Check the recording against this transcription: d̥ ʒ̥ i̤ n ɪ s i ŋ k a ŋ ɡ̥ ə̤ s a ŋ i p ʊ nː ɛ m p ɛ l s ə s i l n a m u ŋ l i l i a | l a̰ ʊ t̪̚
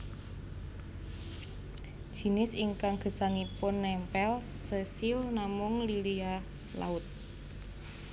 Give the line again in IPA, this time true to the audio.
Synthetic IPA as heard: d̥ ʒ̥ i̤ n ɪ s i ŋ k a ŋ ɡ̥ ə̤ s a ŋ i p ʊ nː ɛ m p ɛ l s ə s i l n a m ʊ ŋ l i l i a | l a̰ ʊ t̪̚